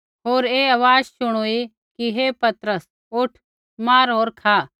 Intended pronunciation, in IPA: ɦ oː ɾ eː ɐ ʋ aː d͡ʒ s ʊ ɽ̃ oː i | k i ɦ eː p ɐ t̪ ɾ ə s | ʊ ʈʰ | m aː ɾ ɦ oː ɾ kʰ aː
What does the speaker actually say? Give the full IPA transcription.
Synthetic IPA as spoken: ɦ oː ɾ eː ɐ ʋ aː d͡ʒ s ʊ ɽ̃ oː i | k i ɦ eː p ɐ t̪ ɾ ə s | ʊ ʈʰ | m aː ɾ ɦ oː ɾ kʰ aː